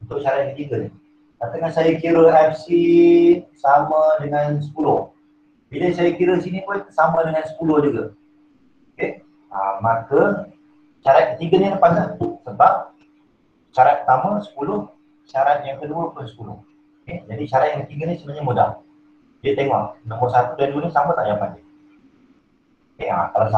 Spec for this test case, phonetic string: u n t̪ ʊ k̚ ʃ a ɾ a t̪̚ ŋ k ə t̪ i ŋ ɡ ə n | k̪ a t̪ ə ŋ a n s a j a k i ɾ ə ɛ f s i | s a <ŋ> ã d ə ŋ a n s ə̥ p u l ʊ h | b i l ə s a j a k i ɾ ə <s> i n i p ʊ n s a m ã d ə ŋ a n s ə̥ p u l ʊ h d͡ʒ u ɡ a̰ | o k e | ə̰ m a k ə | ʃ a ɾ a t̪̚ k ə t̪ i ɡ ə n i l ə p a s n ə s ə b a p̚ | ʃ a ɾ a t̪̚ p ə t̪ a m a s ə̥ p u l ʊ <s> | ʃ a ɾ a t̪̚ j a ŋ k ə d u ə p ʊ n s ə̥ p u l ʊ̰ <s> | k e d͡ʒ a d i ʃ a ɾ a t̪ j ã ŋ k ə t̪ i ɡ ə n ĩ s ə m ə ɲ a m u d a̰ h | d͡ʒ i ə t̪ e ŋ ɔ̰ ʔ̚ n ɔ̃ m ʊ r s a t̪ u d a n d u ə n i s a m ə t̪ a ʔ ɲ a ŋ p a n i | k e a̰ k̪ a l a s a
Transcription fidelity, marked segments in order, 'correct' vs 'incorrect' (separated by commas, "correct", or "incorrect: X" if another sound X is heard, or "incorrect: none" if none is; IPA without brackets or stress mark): incorrect: m, correct, incorrect: h, incorrect: h